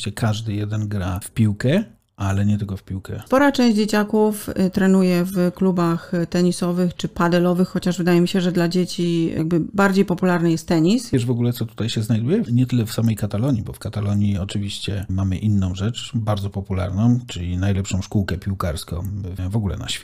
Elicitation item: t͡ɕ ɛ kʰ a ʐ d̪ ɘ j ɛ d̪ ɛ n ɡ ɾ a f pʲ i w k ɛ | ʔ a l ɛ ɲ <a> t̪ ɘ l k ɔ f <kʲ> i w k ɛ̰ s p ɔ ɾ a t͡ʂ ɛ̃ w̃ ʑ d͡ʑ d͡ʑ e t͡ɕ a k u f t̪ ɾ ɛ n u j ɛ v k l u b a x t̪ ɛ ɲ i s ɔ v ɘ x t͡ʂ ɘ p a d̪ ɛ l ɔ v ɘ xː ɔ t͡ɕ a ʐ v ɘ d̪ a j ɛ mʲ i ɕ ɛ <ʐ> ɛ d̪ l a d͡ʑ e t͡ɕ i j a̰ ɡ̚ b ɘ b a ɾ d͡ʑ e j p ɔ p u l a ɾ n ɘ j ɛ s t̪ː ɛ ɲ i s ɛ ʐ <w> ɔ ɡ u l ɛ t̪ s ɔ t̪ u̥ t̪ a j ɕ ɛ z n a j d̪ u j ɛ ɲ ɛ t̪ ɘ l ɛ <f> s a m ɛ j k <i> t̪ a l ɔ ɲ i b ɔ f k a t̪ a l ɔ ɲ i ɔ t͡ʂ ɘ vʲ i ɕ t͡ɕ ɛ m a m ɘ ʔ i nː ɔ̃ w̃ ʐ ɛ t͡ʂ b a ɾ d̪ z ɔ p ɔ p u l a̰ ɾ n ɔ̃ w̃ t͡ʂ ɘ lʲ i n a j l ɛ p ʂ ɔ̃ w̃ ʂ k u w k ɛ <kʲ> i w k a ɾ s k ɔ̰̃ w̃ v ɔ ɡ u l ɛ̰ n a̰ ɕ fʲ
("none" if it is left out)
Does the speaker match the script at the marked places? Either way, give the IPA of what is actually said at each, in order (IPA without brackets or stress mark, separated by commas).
ɛ, pʲ, ʐ, v, f, a, pʲ